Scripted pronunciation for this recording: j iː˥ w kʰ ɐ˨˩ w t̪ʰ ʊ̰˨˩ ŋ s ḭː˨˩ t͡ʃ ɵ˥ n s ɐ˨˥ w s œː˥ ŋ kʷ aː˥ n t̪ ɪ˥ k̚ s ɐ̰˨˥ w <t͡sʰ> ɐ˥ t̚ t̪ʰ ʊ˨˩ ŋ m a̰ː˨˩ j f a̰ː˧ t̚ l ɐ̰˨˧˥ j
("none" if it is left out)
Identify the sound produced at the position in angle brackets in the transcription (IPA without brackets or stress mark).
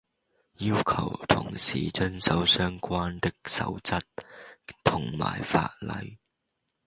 t͡s